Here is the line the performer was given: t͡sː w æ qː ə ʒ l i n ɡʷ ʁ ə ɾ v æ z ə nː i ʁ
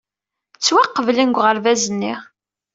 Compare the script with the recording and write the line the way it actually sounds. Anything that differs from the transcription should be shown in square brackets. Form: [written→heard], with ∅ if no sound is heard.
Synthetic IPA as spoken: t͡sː w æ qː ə [ʒ→v] l i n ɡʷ ʁ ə ɾ v æ z ə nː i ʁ